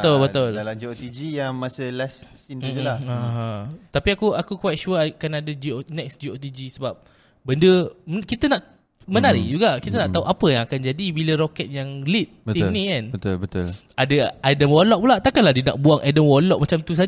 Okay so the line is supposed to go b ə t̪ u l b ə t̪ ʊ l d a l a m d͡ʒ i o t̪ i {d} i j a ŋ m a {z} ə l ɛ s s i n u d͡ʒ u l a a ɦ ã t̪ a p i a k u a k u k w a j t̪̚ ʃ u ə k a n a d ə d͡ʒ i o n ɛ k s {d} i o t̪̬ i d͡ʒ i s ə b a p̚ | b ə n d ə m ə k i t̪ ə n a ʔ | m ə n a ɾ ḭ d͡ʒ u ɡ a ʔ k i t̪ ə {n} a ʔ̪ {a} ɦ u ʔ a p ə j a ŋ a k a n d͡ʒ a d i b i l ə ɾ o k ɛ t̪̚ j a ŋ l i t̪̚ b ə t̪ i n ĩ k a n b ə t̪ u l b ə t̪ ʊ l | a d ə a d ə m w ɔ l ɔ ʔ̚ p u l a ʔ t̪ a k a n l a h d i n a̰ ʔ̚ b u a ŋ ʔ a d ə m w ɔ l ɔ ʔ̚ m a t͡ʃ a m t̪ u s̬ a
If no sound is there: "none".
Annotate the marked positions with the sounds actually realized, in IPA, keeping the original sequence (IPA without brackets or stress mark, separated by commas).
d͡ʒ, s, d͡ʒ, n, a